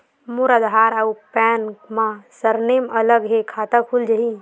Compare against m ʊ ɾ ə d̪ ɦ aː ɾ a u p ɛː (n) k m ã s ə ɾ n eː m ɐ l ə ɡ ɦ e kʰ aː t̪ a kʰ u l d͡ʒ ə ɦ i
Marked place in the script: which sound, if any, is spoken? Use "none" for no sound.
n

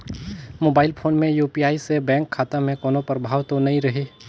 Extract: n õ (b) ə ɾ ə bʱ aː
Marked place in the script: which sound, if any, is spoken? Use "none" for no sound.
p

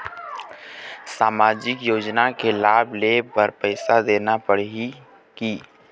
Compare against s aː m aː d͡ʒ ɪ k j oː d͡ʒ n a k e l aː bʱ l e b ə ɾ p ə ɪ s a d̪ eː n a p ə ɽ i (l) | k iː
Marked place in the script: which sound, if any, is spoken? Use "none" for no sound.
none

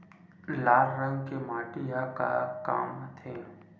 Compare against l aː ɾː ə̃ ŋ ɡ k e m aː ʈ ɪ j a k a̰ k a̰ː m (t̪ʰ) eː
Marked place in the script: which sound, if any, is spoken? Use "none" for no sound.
t̪ʰ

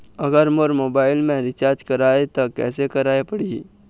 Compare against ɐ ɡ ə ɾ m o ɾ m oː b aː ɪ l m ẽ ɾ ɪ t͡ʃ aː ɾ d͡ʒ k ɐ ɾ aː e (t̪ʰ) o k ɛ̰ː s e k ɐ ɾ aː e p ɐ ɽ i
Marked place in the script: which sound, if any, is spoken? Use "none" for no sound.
t̪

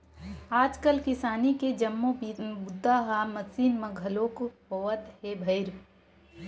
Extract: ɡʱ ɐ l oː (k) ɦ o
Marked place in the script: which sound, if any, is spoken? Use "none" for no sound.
k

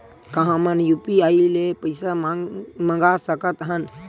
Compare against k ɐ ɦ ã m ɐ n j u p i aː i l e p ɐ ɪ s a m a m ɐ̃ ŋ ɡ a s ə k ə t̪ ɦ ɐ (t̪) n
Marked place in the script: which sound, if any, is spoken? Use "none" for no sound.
none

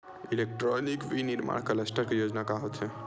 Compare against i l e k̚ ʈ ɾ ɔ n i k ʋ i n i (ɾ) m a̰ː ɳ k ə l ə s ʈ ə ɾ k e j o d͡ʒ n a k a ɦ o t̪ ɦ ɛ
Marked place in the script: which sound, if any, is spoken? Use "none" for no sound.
ɾ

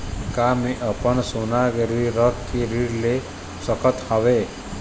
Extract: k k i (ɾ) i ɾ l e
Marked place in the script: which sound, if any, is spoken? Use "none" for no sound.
ɾ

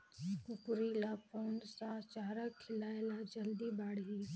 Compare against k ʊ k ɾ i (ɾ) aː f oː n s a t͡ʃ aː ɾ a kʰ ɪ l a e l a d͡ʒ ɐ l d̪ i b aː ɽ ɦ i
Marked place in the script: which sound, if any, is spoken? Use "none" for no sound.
l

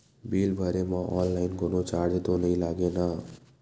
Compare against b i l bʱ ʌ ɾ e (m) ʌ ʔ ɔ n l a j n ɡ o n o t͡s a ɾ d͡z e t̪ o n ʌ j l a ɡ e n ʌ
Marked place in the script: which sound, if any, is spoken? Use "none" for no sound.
m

